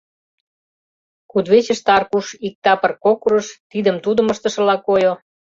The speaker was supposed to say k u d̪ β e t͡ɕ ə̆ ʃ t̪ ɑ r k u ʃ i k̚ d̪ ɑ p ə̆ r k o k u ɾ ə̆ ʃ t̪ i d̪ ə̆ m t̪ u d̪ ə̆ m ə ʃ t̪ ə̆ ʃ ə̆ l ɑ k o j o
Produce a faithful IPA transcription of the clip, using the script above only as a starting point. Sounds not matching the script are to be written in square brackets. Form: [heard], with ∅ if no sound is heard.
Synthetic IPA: k u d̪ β e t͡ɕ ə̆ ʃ t̪ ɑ r k u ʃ i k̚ [t̪] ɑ p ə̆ r k o k u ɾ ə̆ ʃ t̪ i d̪ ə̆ m t̪ u d̪ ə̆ m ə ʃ t̪ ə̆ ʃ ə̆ l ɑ k o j o